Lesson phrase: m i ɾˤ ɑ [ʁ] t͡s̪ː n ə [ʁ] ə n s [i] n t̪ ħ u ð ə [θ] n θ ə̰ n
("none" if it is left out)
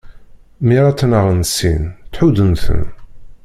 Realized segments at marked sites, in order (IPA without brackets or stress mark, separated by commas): none, ʁ, i, none